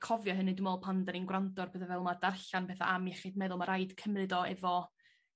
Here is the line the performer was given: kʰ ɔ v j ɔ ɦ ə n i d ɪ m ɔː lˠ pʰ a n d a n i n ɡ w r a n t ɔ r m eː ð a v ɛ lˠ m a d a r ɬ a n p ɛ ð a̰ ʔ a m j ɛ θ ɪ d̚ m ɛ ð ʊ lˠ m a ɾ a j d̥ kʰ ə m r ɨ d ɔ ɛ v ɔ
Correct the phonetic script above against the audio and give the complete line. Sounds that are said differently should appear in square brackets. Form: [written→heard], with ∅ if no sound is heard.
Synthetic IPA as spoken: kʰ ɔ v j ɔ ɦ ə n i d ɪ m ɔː lˠ pʰ a n d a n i n ɡ w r a n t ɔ r [m→b] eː ð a v ɛ lˠ m a d a r ɬ a n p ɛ [ð→θ] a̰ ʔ a m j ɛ [θ→χ] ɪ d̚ m ɛ ð ʊ lˠ m a ɾ a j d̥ kʰ ə m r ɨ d ɔ ɛ v ɔ